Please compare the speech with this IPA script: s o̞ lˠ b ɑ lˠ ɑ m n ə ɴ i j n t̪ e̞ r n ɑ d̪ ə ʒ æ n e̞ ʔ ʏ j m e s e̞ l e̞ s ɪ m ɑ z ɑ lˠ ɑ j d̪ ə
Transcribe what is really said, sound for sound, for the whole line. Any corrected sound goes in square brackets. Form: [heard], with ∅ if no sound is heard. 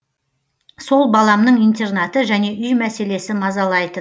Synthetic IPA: s o̞ lˠ b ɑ lˠ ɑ m n ə ɴ i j n t̪ e̞ r n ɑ [t̪] ə ʒ æ n e̞ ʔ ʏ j m [æ] s e̞ l e̞ s ɪ m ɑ z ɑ lˠ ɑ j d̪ ə